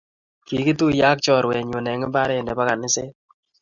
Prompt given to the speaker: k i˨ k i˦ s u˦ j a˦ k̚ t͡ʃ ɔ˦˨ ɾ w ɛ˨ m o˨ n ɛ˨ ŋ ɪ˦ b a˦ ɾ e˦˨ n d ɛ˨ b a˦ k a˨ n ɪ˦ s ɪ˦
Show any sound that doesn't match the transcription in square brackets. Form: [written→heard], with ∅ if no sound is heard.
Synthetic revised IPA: k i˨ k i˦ [s→t] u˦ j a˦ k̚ t͡ʃ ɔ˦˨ ɾ w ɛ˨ [m→ɲ] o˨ n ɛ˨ ŋ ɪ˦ b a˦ ɾ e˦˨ n d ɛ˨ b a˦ k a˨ n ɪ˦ s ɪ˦